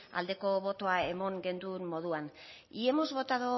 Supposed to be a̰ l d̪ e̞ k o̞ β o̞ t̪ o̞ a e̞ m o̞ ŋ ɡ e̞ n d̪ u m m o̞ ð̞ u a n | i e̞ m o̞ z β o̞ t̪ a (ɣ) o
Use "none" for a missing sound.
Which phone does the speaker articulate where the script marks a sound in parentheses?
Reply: ð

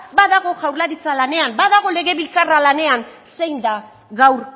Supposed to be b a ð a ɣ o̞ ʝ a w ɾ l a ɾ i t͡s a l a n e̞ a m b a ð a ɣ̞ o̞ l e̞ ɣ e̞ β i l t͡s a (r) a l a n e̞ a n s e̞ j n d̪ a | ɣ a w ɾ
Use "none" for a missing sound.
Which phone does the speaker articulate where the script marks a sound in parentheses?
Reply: r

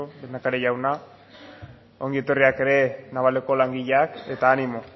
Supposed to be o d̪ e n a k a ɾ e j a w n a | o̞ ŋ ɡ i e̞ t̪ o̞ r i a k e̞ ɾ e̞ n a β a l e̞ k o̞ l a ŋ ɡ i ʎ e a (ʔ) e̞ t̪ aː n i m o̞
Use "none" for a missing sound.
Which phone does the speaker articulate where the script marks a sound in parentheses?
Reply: k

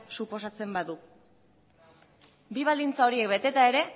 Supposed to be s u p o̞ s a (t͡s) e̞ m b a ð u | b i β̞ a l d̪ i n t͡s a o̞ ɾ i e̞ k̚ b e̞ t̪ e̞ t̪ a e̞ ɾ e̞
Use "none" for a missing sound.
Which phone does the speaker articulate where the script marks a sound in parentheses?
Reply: t͡s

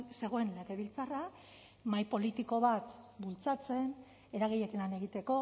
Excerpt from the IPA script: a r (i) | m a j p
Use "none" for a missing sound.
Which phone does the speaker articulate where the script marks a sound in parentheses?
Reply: a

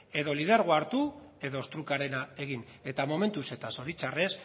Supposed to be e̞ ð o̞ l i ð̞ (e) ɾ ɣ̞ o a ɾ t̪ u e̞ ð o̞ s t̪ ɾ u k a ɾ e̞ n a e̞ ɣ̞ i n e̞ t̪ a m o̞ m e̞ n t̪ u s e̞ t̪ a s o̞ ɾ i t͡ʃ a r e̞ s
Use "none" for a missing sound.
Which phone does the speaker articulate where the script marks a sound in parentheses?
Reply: e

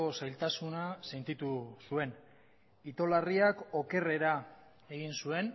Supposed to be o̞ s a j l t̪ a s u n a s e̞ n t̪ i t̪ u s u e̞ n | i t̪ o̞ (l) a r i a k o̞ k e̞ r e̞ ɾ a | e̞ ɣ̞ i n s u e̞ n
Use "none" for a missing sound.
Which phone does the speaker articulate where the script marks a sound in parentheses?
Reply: l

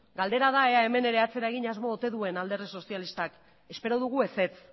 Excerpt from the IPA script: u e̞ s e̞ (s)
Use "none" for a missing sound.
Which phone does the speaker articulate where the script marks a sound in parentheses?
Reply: t͡s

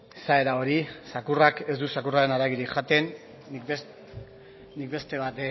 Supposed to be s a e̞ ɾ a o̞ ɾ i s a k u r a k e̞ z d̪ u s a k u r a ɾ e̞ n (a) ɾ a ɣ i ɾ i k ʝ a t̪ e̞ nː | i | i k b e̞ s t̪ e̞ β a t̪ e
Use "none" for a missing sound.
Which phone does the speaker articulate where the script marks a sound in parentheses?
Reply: a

